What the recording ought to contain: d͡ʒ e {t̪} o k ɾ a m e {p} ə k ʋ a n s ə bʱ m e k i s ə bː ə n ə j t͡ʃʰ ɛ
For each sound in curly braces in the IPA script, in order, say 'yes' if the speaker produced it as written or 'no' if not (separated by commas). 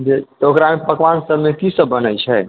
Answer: yes, yes